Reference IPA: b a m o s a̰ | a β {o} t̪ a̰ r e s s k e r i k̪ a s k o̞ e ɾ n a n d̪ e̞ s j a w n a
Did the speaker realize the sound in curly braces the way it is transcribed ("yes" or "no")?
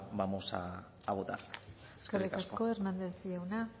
yes